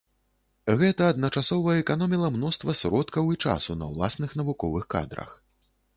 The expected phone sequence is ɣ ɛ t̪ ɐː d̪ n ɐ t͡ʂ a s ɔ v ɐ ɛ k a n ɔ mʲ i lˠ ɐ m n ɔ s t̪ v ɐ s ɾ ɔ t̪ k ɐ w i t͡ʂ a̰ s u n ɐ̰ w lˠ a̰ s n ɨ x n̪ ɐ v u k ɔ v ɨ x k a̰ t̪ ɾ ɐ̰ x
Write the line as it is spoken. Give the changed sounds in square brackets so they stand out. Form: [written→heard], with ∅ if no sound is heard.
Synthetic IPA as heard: ɣ ɛ t̪ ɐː d̪ n ɐ t͡ʂ a s ɔ v ɐ ɛ k a n ɔ mʲ i lˠ ɐ m n ɔ s t̪ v ɐ s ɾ ɔ t̪ k ɐ w i t͡ʂ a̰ s u n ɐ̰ w lˠ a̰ s n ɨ x n̪ ɐ v u k ɔ v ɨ x k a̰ [t̪→d̪] ɾ ɐ̰ x